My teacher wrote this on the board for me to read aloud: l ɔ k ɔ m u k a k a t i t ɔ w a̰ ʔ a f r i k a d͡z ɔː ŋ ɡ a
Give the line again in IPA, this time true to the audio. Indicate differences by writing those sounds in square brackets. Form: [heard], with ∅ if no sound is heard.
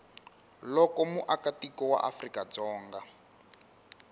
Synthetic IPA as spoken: l ɔ k ɔ m u [ʔ] a k a t i [k] ɔ w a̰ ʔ a f r i k a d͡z ɔː ŋ ɡ a